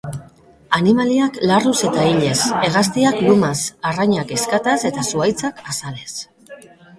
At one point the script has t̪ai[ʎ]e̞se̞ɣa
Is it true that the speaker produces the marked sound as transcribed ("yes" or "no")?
yes